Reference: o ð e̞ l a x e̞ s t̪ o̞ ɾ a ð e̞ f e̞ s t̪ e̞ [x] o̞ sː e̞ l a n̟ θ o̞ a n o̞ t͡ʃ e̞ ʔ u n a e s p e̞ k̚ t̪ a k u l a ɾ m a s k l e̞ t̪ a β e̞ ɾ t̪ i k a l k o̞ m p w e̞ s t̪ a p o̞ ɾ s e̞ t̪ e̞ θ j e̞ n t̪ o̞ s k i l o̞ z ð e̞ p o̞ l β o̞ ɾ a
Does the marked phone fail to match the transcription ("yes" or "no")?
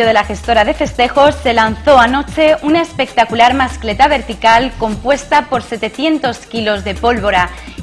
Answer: no